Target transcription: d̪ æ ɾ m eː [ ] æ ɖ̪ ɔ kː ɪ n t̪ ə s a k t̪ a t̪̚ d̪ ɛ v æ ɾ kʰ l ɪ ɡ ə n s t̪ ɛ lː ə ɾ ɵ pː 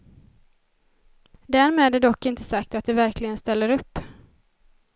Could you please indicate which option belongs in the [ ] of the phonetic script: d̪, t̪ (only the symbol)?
d̪